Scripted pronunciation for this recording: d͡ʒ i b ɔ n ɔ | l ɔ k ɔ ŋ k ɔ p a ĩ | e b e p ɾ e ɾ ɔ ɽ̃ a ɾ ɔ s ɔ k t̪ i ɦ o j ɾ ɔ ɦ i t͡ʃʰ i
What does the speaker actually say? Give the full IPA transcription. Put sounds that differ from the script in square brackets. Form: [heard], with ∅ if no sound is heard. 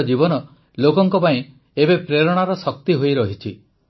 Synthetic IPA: d͡ʒ i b ɔ n ɔ | l [o] k ɔ ŋ k ɔ p a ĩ | e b e p ɾ e ɾ ɔ ɽ̃ a ɾ ɔ s ɔ k t̪ i ɦ o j ɾ ɔ ɦ i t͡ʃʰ i